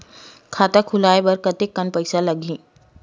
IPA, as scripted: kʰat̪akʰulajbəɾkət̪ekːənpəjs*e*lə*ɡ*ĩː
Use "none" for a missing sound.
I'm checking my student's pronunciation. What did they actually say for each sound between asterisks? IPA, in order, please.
a, ɡ

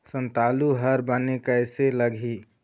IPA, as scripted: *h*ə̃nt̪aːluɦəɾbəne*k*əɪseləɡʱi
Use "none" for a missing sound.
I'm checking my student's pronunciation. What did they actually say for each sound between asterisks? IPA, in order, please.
s, k

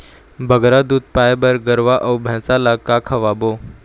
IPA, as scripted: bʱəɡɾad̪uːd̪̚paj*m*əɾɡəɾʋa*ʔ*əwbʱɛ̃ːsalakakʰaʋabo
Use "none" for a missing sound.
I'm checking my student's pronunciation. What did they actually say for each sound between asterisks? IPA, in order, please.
b, ʔ

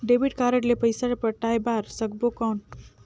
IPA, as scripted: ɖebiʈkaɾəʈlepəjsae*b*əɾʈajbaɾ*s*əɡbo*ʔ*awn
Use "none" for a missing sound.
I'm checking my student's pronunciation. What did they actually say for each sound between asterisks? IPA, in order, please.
p, s, k

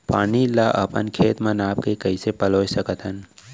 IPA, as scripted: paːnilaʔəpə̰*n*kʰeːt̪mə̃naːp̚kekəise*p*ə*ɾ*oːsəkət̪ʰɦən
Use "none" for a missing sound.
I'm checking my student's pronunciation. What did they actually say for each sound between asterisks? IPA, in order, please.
n, p, l

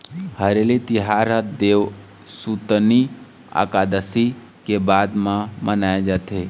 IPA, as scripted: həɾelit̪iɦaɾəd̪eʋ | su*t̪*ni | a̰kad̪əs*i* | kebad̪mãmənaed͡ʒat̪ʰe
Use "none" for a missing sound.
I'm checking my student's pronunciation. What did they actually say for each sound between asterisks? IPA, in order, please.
t̪, i

